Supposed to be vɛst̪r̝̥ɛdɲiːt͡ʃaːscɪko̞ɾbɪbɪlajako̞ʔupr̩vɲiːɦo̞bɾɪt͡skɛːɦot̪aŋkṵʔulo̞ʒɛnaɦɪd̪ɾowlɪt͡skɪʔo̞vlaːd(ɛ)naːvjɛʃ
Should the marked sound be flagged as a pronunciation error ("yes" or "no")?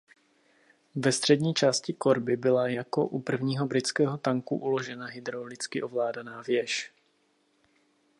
yes